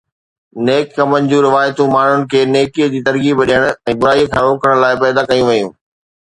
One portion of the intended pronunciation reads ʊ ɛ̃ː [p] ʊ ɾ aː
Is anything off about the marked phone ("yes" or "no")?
yes